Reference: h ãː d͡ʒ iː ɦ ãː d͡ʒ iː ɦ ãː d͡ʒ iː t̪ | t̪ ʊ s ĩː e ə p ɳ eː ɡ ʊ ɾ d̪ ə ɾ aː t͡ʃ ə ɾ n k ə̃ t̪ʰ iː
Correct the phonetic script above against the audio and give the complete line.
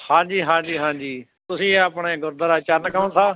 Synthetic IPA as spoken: h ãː d͡ʒ iː ɦ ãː d͡ʒ iː ɦ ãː d͡ʒ iː | t̪ ʊ s ĩː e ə p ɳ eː ɡ ʊ ɾ d̪ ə ɾ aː t͡ʃ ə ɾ n k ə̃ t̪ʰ aː

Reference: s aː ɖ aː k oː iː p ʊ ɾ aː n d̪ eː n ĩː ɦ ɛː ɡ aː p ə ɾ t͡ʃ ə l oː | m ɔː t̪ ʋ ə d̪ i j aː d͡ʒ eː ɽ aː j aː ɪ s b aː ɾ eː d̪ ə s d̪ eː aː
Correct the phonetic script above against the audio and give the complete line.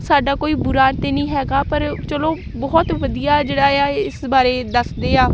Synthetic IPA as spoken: s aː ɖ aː k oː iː b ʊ ɾ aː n t̪ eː n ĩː ɦ ɛː ɡ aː p ə ɾ t͡ʃ ə l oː | b ɔː t̪ ʋ ə d̪ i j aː d͡ʒ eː ɽ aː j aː ɪ s b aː ɾ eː d̪ ə s d̪ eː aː

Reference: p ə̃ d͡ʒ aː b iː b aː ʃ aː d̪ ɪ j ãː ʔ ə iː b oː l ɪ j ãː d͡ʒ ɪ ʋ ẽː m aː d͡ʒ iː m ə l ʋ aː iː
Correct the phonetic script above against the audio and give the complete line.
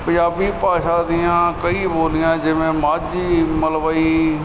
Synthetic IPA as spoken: p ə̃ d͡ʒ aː b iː p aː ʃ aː d̪ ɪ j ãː k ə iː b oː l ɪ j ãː d͡ʒ ɪ ʋ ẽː m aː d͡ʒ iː m ə l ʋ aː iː

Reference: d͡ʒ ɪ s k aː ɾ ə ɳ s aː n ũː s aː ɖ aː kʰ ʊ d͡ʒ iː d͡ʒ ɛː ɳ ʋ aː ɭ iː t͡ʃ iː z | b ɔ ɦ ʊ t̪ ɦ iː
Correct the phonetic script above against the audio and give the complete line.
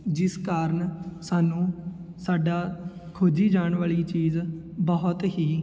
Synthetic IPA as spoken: d͡ʒ ɪ s k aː ɾ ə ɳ s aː n ũː s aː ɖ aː kʰ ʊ d͡ʒ iː d͡ʒ aː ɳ ʋ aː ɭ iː t͡ʃ iː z | b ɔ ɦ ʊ t̪ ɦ iː

